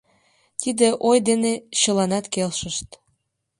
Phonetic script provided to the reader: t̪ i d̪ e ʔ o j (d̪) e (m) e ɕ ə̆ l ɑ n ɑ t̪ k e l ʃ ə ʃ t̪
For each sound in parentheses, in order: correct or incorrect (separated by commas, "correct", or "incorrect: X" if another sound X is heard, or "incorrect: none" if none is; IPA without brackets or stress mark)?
correct, incorrect: n